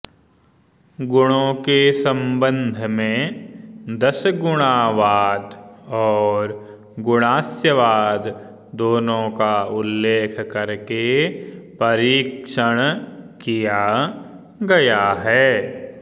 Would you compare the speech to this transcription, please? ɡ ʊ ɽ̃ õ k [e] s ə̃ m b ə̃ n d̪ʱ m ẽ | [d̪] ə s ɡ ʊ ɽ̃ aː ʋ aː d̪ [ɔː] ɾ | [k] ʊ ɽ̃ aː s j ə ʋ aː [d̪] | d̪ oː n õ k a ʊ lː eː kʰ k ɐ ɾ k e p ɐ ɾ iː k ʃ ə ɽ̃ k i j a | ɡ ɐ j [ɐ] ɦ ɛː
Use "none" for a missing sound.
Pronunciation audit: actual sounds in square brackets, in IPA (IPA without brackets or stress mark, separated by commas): e, d̪, ɔː, ɡ, d̪, a